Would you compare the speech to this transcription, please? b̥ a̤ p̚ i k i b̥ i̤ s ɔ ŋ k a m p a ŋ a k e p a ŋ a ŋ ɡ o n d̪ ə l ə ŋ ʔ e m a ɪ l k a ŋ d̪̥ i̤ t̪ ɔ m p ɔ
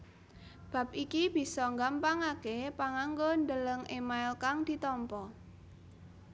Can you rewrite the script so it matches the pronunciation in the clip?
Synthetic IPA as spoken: b̥ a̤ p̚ i k i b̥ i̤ s ɔ ŋ ɡ a m p a ŋ a k e p a ŋ a ŋ ɡ o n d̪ ə l ə ŋ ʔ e m a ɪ l k a ŋ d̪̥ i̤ t̪ ɔ m p ɔ